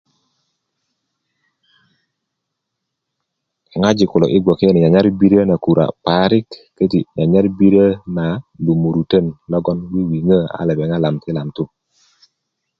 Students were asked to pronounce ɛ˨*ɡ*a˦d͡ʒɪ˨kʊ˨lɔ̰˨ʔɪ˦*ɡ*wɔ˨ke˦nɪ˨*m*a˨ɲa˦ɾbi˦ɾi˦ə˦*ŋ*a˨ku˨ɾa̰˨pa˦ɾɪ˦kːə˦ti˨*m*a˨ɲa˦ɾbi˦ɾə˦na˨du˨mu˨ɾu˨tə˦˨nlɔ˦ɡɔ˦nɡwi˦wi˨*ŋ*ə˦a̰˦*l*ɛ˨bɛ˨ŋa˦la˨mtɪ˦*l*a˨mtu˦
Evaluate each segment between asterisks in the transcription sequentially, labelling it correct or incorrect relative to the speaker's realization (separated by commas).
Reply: incorrect, correct, incorrect, incorrect, incorrect, correct, correct, correct